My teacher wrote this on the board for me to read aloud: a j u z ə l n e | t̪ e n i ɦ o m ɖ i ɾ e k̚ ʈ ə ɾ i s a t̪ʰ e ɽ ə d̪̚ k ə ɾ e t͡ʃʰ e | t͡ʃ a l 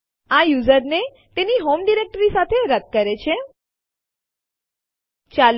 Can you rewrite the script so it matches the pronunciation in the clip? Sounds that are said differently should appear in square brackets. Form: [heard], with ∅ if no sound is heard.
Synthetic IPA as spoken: a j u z ə [ɾ] n e | t̪ e n i ɦ o m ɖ i ɾ e k̚ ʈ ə ɾ i s a t̪ʰ e [ɾ] ə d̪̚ k ə ɾ e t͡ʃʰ e | t͡ʃ a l